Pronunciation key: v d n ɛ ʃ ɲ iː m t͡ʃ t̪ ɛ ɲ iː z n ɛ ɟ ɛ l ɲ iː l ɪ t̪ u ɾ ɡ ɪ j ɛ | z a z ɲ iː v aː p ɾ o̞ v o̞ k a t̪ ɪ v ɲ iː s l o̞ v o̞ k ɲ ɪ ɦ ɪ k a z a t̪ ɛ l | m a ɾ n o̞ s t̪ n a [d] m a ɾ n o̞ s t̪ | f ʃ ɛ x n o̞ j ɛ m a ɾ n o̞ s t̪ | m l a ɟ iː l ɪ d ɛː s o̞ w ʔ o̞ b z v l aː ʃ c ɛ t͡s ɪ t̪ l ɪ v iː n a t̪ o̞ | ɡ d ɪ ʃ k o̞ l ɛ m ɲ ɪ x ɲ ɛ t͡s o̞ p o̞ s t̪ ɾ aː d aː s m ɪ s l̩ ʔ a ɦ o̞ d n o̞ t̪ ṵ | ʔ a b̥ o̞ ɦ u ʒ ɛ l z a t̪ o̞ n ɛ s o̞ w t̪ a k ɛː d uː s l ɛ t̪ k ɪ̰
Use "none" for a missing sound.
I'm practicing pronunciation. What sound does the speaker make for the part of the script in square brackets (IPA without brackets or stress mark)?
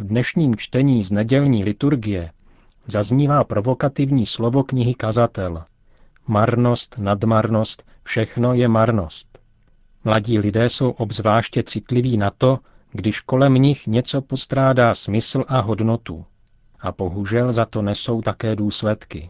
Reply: d